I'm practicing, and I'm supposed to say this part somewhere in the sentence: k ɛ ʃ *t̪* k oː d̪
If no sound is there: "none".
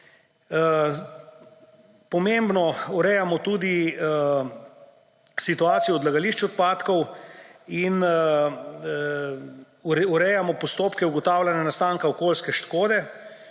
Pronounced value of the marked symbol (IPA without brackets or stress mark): t̪